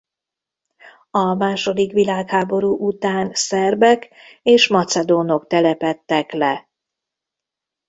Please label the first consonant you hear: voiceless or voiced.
voiced